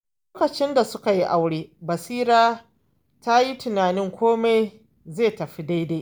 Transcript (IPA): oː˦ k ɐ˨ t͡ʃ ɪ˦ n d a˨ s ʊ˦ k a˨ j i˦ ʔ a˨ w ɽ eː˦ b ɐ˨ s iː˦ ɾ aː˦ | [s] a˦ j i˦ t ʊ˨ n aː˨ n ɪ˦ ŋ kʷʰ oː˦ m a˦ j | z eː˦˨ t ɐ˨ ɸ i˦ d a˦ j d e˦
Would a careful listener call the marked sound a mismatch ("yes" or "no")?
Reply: yes